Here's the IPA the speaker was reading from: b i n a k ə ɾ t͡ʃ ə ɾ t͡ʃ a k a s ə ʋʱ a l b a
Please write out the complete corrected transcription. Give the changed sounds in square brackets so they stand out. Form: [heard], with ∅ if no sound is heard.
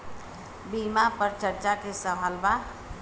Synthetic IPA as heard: b i [m] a [p] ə ɾ t͡ʃ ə ɾ t͡ʃ a k [e] s ə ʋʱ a l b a